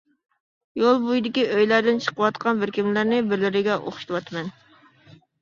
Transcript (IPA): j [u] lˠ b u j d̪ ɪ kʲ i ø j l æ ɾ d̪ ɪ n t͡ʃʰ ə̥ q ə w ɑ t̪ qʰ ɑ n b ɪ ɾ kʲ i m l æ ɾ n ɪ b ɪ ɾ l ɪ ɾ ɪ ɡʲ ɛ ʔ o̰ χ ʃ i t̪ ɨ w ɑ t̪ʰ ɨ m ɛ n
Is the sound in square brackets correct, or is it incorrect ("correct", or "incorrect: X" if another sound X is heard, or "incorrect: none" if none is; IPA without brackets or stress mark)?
incorrect: o